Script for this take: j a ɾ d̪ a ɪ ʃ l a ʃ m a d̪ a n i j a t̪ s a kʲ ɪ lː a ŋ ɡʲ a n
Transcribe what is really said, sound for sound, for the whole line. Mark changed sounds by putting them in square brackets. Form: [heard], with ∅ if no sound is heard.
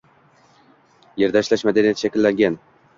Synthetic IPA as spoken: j [e] ɾ d̪ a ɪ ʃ l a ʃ m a d̪ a n i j a t̪ [ʃ] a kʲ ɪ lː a ŋ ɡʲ a n